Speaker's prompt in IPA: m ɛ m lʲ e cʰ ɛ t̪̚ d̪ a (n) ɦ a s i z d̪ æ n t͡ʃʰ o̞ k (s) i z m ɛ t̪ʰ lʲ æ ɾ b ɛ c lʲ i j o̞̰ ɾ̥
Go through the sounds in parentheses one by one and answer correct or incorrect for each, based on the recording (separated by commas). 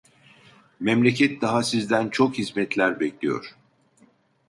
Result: incorrect, incorrect